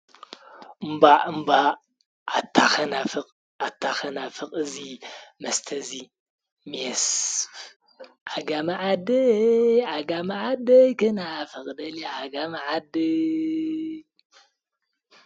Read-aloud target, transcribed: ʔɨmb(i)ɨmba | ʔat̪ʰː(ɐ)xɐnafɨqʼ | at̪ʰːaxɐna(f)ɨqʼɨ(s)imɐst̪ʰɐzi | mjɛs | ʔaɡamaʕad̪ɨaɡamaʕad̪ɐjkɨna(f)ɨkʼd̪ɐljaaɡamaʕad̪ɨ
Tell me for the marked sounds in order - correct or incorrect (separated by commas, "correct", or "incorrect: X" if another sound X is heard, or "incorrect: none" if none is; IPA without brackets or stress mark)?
incorrect: a, incorrect: a, correct, incorrect: z, correct